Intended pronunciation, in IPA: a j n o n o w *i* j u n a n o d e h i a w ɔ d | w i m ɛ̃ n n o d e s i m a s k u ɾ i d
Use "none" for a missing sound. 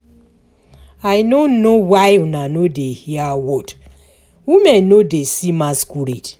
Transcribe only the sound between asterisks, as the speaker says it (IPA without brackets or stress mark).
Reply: a